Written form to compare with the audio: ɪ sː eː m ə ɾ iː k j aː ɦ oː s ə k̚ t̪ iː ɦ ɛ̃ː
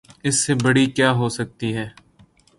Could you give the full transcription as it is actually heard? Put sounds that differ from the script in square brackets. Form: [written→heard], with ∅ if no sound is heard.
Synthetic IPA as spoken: ɪ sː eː [m→b] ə [ɾ→ɽ] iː k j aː ɦ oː s ə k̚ t̪ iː ɦ [ɛ̃ː→ɛː]